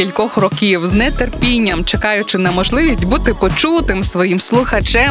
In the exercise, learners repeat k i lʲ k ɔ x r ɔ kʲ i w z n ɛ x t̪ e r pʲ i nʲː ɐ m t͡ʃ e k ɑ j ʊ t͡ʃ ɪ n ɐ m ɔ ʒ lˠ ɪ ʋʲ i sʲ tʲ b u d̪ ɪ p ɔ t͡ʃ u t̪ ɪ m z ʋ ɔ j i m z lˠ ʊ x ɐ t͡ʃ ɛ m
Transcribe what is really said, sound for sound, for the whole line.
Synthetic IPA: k i lʲ k ɔ x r ɔ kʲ i w z n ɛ t̪ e r pʲ i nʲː ɐ m t͡ʃ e k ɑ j ʊ t͡ʃ ɪ n ɐ m ɔ ʒ lˠ ɪ ʋʲ i sʲ tʲ b u t̪ ɪ p ɔ t͡ʃ u t̪ ɪ m s ʋ ɔ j i m s lˠ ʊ x ɐ t͡ʃ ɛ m